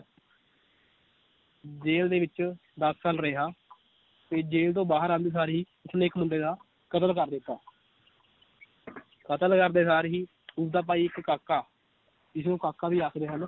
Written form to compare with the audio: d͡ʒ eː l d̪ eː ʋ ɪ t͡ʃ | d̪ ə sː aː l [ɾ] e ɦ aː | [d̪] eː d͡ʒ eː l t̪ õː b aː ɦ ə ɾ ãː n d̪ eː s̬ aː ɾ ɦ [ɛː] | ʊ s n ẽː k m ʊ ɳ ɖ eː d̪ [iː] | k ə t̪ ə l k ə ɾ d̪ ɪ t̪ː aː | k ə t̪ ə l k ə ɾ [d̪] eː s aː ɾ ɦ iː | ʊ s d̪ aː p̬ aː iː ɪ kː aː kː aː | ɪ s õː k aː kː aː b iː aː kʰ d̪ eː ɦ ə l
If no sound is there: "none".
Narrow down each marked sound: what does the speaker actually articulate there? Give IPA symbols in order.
ɾ, t̪, iː, aː, d̪

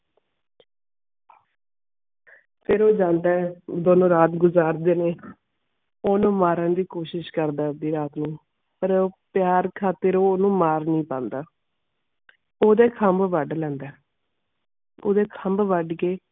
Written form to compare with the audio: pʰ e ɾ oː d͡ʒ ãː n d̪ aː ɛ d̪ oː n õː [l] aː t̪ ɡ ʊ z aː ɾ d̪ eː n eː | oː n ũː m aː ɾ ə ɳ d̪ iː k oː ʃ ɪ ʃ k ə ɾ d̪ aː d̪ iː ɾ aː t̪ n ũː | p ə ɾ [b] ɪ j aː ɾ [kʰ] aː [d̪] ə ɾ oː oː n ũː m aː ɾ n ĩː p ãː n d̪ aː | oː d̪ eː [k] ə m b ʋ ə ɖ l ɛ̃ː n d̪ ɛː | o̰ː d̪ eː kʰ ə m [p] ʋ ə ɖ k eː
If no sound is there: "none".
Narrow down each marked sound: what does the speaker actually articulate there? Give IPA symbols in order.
ɾ, p, kʰ, t̪, kʰ, b

